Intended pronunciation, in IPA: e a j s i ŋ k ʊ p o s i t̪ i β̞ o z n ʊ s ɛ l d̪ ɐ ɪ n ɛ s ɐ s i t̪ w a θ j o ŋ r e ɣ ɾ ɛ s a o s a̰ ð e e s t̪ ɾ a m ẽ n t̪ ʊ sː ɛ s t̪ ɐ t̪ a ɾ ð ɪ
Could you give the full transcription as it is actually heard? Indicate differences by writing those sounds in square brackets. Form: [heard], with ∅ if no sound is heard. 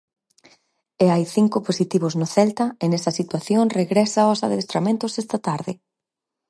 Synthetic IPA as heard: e a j [θ] i ŋ k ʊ p o s i t̪ i β̞ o z n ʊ [θ] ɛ l [t̪] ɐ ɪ n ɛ s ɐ s i t̪ w a θ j o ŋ r e ɣ ɾ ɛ s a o s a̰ ð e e s t̪ ɾ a m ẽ n t̪ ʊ [s] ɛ s t̪ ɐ t̪ a ɾ ð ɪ